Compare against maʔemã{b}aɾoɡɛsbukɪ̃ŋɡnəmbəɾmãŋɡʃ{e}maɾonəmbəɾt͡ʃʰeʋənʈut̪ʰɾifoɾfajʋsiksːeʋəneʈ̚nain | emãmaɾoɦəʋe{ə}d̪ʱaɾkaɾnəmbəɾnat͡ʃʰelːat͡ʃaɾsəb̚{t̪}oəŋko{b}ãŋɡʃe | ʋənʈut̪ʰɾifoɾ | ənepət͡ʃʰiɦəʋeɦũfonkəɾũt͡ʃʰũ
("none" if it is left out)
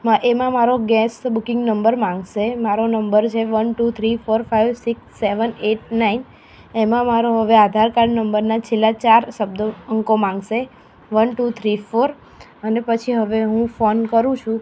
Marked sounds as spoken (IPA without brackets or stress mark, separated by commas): m, e, a, d̪, m